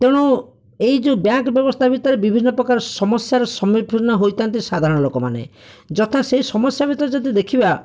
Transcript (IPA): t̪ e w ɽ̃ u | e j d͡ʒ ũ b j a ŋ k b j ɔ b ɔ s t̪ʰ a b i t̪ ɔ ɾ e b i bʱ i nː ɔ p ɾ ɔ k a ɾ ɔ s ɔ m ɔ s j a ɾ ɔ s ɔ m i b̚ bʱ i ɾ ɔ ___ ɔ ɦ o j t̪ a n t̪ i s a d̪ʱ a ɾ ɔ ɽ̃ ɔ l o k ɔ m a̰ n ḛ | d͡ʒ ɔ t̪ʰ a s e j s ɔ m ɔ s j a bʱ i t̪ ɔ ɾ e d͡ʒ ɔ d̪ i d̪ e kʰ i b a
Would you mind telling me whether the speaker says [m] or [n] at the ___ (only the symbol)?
n